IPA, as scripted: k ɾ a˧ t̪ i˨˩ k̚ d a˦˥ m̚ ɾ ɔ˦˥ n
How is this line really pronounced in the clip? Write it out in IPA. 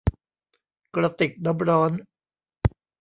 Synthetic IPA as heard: k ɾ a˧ t̪ i˨˩ k̚ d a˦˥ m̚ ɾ ɔː˦˥ n